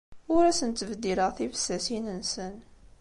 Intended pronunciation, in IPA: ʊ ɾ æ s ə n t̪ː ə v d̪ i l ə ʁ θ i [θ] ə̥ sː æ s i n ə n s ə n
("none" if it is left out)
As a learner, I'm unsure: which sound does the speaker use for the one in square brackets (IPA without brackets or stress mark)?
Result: f